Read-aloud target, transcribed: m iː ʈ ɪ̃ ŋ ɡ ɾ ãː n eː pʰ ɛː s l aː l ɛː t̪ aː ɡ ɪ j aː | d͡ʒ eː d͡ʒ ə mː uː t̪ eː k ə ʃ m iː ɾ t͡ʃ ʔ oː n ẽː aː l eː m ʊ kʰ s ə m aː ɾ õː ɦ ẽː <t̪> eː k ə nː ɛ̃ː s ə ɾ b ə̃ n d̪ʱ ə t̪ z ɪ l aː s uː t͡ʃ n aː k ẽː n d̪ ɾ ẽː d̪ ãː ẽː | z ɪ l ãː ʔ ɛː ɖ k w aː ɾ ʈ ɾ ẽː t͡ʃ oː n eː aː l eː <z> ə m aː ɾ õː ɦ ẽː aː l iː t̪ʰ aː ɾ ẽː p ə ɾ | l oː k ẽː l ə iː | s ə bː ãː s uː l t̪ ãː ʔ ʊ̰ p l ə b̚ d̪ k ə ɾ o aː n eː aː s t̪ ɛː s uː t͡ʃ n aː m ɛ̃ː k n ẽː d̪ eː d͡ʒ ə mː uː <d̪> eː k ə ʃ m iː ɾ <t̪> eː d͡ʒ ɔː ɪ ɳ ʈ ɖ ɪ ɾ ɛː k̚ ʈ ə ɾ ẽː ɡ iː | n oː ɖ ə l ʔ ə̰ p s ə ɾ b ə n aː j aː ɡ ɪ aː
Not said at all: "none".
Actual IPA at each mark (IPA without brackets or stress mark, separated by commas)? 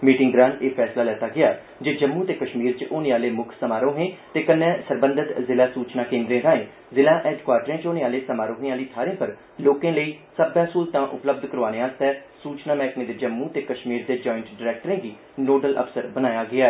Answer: t̪, s, t̪, d̪